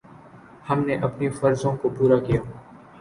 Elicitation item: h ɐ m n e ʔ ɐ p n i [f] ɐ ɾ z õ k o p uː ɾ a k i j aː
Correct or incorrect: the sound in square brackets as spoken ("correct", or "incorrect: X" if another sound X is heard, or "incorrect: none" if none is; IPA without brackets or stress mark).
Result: correct